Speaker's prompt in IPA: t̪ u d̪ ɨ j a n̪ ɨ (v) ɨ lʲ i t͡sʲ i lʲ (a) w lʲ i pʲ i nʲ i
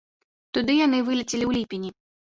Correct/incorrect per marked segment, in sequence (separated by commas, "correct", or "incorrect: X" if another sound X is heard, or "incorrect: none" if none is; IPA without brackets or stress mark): correct, incorrect: i